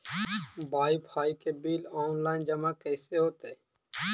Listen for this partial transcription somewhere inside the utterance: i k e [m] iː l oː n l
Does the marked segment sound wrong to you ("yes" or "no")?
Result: yes